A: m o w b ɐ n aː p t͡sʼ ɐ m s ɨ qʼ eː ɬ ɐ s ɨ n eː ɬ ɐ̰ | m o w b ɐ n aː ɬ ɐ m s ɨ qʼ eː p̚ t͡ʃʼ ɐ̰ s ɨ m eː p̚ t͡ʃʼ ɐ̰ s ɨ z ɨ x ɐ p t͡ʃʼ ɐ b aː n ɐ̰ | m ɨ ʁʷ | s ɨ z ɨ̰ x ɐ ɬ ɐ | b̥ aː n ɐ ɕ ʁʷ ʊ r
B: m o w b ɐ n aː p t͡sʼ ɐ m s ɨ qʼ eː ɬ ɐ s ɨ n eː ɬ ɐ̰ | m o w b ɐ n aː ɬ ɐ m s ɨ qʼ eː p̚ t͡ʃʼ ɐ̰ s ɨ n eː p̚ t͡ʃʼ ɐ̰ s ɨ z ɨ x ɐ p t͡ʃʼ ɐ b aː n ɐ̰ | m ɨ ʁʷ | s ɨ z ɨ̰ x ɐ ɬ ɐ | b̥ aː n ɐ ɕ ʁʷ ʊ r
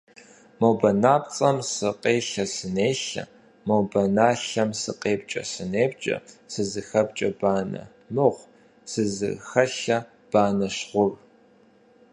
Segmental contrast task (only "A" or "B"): B